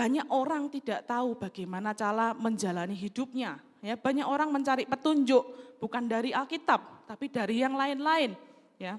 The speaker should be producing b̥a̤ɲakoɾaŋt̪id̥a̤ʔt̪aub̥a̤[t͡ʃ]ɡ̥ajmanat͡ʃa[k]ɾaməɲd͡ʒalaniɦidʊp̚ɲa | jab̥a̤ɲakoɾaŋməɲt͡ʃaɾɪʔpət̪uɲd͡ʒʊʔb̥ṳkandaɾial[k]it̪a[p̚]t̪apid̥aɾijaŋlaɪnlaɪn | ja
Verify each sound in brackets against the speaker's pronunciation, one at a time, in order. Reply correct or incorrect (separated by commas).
incorrect, incorrect, correct, correct